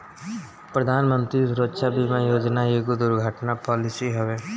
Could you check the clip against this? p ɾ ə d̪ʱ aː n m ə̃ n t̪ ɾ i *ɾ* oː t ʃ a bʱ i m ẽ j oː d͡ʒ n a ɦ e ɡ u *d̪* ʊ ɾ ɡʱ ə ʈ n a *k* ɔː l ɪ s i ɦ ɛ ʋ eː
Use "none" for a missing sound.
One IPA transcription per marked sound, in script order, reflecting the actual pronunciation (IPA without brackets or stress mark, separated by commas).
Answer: ɾ, d̪, p